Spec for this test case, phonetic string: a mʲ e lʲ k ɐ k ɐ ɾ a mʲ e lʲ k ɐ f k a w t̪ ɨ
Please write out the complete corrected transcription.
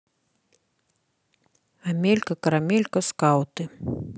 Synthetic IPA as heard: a mʲ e lʲ k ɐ k ɐ ɾ a mʲ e lʲ k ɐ s k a w t̪ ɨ